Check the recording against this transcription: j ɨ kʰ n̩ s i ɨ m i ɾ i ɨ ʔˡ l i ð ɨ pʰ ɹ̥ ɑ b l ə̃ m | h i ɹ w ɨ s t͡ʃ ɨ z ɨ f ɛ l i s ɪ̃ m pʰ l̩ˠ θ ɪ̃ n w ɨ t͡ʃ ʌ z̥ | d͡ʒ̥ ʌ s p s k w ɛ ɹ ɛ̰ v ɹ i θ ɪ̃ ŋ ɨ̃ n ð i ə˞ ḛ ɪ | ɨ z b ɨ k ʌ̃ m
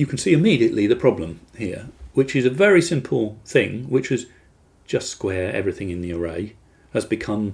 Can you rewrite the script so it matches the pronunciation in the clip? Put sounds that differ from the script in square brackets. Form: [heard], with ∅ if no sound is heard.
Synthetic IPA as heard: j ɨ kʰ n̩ s i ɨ m i ɾ i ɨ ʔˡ l i ð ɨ pʰ ɹ̥ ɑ b l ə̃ m | h i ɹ w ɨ [∅] t͡ʃ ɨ z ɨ [v] ɛ [ɹ] i s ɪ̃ m pʰ l̩ˠ θ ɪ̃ [ŋ] w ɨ t͡ʃ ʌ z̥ | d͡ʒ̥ ʌ s [t] s k w ɛ ɹ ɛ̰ v ɹ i θ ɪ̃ ŋ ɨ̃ n ð i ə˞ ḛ ɪ | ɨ z b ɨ [kʰ] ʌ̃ m

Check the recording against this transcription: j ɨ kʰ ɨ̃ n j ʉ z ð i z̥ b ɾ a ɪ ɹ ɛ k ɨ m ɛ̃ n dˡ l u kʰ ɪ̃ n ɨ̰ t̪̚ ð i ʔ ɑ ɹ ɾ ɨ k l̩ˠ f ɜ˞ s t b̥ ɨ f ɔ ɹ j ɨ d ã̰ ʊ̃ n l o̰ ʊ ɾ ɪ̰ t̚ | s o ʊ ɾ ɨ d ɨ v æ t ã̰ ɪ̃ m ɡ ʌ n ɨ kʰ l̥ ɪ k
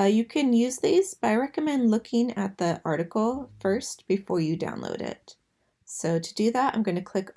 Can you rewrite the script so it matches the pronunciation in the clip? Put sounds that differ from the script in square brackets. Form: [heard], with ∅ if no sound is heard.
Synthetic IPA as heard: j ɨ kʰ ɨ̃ n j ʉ z ð i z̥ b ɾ a ɪ ɹ ɛ k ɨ m ɛ̃ n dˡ l [ʊ] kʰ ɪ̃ [ŋ] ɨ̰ t̪̚ ð i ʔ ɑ ɹ ɾ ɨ k l̩ˠ f ɜ˞ s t b̥ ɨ f ɔ ɹ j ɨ d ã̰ ʊ̃ n l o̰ ʊ ɾ ɪ̰ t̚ | s o ʊ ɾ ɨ d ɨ [ð] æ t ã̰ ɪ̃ m ɡ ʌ n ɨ kʰ l̥ ɪ k

